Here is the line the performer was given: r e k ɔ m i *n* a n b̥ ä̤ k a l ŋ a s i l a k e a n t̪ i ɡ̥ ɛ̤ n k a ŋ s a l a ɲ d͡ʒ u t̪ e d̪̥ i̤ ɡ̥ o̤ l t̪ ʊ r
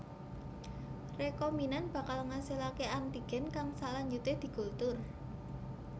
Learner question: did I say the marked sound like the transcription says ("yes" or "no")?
yes